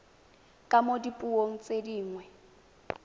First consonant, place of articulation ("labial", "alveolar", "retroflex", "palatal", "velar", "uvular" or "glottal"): velar